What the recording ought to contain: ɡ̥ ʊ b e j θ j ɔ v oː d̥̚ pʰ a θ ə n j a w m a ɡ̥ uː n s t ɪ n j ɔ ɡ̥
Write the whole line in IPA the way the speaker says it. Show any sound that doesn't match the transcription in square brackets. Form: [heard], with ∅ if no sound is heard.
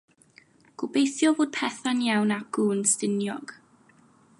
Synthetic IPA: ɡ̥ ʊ b e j θ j ɔ v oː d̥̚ pʰ [ɛ] θ [a] n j a w [n] a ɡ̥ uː n s t ɪ n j ɔ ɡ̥

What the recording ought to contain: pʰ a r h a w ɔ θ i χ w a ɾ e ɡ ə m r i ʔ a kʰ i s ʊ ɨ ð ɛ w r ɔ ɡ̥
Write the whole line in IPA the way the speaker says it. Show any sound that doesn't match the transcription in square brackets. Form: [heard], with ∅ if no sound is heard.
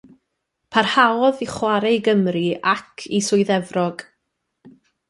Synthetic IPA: pʰ a r h a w ɔ [ð] i χ w a ɾ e ɡ ə m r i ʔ a kʰ i s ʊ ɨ ð ɛ [v] r ɔ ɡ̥

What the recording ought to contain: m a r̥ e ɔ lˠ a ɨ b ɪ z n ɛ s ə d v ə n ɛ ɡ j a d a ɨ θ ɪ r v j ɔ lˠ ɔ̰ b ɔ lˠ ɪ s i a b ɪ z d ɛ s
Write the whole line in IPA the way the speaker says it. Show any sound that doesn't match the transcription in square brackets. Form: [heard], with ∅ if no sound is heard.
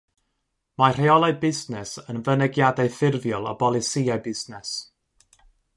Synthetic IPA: m a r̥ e ɔ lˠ a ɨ b ɪ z n ɛ s ə [n] v ə n ɛ ɡ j a d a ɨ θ ɪ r v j ɔ lˠ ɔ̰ b ɔ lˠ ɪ s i a b ɪ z [n] ɛ s

